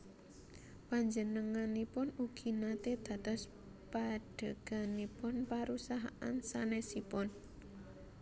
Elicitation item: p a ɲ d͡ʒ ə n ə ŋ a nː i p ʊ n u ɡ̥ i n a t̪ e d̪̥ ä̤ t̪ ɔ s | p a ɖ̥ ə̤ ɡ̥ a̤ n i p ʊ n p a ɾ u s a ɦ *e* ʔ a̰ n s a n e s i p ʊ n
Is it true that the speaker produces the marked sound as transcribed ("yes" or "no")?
no